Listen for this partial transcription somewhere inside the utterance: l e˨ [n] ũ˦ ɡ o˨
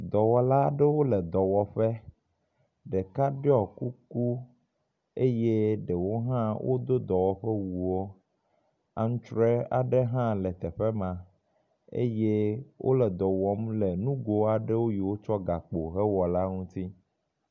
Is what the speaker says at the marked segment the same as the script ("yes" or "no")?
yes